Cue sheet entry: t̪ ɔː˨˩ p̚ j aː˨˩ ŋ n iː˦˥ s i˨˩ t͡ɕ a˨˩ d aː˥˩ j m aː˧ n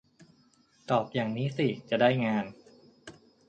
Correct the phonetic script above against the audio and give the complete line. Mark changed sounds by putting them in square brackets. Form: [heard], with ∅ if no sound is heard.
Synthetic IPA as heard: t̪ ɔː˨˩ p̚ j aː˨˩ ŋ n iː˦˥ s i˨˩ t͡ɕ a˨˩ d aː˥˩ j [ŋ] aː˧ n